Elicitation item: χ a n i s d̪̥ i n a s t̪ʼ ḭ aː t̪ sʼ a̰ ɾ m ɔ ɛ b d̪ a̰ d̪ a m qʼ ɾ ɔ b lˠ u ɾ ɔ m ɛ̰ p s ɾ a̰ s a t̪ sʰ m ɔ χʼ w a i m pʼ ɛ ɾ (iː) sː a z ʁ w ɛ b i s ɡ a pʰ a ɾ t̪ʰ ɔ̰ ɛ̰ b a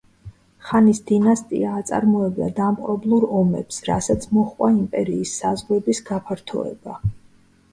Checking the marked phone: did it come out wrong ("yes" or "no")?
no